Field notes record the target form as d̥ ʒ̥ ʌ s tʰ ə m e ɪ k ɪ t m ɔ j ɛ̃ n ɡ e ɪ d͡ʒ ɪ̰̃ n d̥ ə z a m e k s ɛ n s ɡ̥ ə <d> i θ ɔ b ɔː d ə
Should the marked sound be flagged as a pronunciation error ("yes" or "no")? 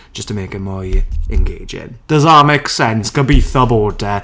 yes